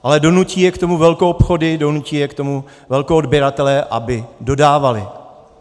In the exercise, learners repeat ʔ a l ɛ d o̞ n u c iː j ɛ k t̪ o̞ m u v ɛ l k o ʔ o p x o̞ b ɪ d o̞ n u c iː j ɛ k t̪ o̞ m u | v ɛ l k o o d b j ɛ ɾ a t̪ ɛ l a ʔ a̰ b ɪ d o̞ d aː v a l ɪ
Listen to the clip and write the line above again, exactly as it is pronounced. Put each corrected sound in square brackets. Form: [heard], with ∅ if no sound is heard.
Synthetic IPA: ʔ a l ɛ d o̞ n u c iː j ɛ k t̪ o̞ m u v ɛ l k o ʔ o p x o̞ [d] ɪ d o̞ n u c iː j ɛ k t̪ o̞ m u | v ɛ l k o o d b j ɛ ɾ a t̪ ɛ l [ɛ] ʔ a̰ b ɪ d o̞ d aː v a l ɪ